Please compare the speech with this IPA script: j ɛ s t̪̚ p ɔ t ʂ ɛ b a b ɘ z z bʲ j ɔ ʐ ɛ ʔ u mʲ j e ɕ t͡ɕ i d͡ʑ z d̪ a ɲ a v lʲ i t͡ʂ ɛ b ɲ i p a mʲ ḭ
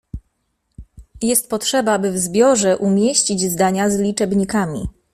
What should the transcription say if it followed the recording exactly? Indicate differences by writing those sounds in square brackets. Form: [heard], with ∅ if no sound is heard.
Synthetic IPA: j ɛ s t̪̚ p ɔ t ʂ ɛ b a b ɘ [v] z bʲ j ɔ ʐ ɛ ʔ u mʲ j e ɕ t͡ɕ i d͡ʑ z d̪ a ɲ a [z] lʲ i t͡ʂ ɛ b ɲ i [k] a mʲ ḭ